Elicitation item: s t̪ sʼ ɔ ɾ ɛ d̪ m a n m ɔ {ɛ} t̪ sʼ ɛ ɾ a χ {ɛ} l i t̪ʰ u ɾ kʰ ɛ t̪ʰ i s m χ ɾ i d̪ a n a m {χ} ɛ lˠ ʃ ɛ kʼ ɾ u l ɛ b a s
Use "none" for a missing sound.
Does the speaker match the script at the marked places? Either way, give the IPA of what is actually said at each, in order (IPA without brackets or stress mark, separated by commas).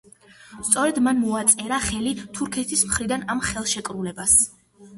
a, ɛ, χ